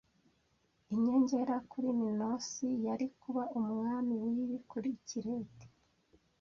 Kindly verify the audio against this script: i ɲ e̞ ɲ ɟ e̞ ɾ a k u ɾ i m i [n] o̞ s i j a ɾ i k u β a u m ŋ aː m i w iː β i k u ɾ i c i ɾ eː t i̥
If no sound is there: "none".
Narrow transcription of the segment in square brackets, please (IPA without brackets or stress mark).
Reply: n